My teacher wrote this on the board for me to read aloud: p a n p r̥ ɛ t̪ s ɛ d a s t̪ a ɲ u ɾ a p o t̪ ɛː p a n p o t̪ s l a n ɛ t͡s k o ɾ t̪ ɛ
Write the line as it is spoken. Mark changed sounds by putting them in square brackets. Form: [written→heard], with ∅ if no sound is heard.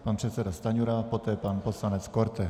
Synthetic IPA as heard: p a n p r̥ ɛ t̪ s ɛ d a s t̪ a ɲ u ɾ a p o t̪ ɛː p a n p o [t̪→∅] s l a n ɛ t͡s k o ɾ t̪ ɛ